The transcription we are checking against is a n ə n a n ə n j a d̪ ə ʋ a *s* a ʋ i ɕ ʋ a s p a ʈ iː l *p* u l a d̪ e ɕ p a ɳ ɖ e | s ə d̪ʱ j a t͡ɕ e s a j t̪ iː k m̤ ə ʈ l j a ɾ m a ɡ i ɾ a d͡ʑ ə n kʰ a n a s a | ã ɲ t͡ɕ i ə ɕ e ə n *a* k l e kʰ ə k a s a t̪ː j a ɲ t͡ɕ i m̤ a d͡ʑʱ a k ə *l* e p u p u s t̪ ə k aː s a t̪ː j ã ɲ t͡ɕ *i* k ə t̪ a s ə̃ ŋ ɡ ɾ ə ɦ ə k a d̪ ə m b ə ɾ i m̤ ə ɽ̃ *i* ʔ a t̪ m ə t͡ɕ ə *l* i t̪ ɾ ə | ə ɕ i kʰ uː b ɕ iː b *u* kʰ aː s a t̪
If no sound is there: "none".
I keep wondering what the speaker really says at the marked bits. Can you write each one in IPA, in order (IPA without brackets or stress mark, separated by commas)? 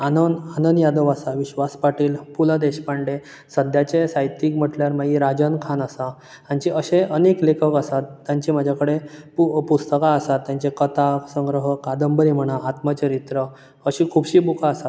s, p, e, ɽ, e, a, ɾ, u